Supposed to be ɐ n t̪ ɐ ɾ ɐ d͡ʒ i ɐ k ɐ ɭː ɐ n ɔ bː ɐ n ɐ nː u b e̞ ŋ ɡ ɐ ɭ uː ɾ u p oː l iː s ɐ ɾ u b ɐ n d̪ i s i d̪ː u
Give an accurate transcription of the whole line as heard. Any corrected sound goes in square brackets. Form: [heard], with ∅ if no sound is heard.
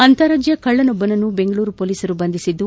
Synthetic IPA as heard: ɐ n t̪ ɐ ɾ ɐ d͡ʒ [j] ɐ k ɐ ɭː ɐ n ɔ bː ɐ n ɐ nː u b e̞ ŋ ɡ ɐ ɭ uː ɾ u p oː l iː s ɐ ɾ u b ɐ n d̪ i s i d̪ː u